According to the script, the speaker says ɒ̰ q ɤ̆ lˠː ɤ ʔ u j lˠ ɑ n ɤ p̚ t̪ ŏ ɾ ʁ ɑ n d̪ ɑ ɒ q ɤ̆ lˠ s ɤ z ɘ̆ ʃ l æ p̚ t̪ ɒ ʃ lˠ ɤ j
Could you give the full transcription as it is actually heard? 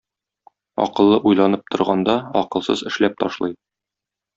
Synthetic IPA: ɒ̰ q ɤ̆ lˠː ɤ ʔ u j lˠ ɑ n ɤ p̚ t̪ ŏ ɾ ʁ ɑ n d̪ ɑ ɒ q ɤ̆ lˠ s ɤ z ɘ̆ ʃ l æ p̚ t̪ ɒ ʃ lˠ ɤ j